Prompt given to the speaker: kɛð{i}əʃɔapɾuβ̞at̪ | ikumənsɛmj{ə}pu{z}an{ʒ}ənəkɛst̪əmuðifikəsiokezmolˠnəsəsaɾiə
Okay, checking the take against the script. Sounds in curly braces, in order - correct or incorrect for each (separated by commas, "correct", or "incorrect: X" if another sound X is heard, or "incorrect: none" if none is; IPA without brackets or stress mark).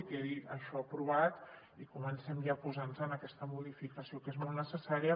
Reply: correct, incorrect: a, correct, incorrect: z